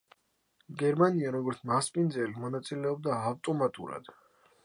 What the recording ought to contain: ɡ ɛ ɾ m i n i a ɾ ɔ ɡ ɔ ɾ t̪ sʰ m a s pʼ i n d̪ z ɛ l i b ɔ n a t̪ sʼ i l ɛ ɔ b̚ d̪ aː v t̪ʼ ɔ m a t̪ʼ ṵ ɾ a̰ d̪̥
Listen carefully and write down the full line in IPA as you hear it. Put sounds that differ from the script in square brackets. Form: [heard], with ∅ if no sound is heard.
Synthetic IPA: ɡ ɛ ɾ m [a] n i a ɾ ɔ ɡ ɔ ɾ t̪ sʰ m a s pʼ i n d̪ z ɛ l i [m] ɔ n a t̪ sʼ i l ɛ ɔ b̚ d̪ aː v t̪ʼ ɔ m a t̪ʼ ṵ ɾ a̰ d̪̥